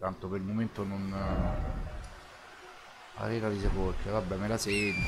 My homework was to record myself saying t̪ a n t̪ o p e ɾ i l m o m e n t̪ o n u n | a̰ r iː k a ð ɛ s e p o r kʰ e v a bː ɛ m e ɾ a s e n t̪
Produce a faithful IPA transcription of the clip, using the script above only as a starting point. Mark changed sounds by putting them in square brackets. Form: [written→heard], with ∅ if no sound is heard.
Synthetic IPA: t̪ a n t̪ o p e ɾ i l m o m e n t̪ o n [u→o] n | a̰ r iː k a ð [ɛ→i] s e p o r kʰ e v a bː ɛ m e [ɾ→l] a s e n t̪